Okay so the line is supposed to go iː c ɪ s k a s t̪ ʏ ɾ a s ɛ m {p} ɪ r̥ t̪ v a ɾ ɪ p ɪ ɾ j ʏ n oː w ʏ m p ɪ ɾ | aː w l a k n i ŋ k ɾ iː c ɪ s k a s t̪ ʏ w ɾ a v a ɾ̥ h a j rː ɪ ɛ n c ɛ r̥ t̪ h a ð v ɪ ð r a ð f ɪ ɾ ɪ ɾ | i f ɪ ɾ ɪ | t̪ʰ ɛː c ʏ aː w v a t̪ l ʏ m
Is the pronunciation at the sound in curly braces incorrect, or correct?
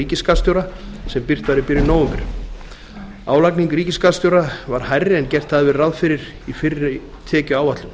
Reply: correct